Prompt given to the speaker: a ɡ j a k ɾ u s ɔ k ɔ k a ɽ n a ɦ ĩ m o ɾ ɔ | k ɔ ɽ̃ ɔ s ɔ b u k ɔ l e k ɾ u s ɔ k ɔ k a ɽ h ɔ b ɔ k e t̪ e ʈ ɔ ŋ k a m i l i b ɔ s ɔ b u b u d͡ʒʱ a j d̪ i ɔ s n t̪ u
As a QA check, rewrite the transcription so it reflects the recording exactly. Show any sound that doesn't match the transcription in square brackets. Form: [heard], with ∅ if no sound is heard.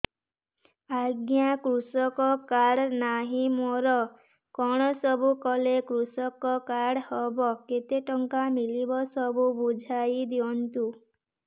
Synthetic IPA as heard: a ɡ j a k ɾ u s ɔ k ɔ k a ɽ n a ɦ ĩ m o ɾ ɔ | k ɔ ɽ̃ ɔ s ɔ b u k ɔ l e k ɾ u s ɔ k ɔ k a ɽ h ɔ b ɔ k e t̪ e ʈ ɔ ŋ k a m i l i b ɔ s ɔ b u b u d͡ʒʱ a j d̪ i ɔ [∅] n t̪ u